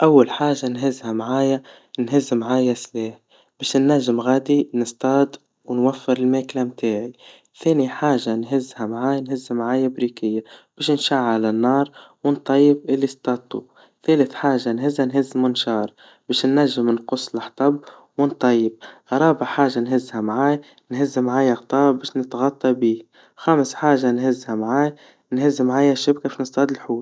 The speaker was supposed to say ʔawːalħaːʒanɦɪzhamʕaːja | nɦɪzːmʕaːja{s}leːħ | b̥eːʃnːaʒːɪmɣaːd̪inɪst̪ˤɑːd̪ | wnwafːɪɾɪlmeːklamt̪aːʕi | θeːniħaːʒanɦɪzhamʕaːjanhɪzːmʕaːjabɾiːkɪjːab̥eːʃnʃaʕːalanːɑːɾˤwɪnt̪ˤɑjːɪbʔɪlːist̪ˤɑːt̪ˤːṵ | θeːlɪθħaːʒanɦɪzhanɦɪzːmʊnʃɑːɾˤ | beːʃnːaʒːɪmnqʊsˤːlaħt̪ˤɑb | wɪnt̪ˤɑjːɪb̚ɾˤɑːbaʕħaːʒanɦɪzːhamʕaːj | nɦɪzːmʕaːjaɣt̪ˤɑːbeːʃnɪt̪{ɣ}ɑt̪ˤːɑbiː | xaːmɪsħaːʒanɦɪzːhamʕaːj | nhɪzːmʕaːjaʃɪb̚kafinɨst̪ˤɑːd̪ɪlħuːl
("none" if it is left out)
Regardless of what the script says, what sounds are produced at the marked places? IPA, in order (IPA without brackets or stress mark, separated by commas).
s, ɣ